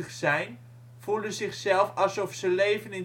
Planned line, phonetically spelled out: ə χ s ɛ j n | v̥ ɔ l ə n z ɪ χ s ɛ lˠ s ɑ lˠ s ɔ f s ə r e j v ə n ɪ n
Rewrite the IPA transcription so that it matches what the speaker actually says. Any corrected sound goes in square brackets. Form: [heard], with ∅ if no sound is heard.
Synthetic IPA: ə χ s ɛ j n | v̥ [u] l ə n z ɪ χ s ɛ lˠ [f] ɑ lˠ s ɔ f s ə [l] e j v ə n ɪ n

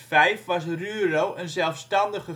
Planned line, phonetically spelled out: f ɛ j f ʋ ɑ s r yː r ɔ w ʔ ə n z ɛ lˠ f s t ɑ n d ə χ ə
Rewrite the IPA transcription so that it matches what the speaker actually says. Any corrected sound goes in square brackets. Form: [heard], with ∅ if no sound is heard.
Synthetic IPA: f ɛ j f ʋ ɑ s r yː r [o] w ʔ ə n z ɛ lˠ f s t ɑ n d ə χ ə

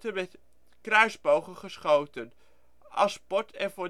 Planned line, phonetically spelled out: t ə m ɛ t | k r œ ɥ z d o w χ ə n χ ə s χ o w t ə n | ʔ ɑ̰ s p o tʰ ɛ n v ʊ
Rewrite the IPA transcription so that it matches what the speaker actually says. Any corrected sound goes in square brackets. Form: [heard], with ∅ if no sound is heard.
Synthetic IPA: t ə m ɛ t | k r œ ɥ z [b] o w χ ə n χ ə s χ o w t ə n | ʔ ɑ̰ s p [ɔ] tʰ ɛ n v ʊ

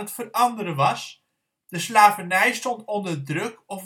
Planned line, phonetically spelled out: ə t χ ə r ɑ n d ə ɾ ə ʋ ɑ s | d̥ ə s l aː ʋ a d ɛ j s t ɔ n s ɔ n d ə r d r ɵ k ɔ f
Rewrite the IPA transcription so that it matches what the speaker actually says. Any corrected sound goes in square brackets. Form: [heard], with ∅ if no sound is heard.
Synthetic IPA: ə t [f] ə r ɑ n d ə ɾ ə ʋ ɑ s | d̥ ə s l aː [v] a [n] ɛ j s t ɔ n [t] ɔ n d ə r d r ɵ k ɔ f

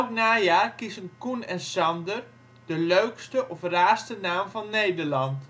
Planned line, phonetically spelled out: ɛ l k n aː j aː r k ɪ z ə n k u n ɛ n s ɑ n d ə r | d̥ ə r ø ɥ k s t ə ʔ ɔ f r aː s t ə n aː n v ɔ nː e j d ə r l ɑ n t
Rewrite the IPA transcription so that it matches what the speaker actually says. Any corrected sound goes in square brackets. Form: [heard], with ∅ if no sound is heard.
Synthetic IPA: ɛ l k n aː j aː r k [i] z ə n k u n ɛ n s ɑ n d ə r | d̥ ə [l] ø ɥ k s t ə ʔ ɔ f r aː s t ə n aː [m] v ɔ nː e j d ə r l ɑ n t

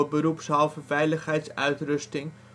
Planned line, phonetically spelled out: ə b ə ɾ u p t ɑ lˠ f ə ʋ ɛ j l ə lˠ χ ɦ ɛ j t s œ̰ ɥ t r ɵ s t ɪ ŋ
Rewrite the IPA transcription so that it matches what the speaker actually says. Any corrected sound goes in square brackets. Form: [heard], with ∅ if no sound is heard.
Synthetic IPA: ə b ə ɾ u p [s] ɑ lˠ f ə [v] ɛ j l ə [∅] χ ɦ ɛ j t s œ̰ ɥ t r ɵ s t ɪ ŋ

